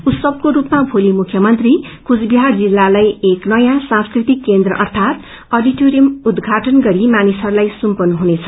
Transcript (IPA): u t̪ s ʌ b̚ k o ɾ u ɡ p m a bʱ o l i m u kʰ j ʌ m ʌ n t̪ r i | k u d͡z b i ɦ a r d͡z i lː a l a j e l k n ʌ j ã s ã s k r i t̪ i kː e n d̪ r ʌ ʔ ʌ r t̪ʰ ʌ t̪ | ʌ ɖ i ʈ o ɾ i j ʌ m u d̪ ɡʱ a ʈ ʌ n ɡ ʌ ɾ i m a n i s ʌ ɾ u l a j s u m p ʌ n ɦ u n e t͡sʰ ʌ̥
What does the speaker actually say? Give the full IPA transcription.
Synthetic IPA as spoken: u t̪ s ʌ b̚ k o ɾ u p m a bʱ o l i m u kʰ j ʌ m ʌ n t̪ r i | k u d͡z b i ɦ a r d͡z i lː a l a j e k n ʌ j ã s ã s k r i t̪ i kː e n d̪ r ʌ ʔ ʌ r t̪ʰ a t̪ | ʌ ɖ i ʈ o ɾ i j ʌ m u d̪ ɡʱ a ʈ ʌ n ɡ ʌ ɾ i m a n i s ʌ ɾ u l a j s u m p ʌ n ɦ u n e t͡sʰ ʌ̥